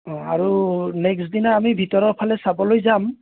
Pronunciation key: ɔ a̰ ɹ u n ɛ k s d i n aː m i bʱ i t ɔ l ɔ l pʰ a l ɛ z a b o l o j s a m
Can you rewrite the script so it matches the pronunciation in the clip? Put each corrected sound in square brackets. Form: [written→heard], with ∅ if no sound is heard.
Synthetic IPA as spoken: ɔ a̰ ɹ u n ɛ k s d i n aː m i bʱ i t ɔ [l→ɹ] ɔ [l→ɹ] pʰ a l ɛ [z→s] a b [o→ɔ] l o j [s→z] a m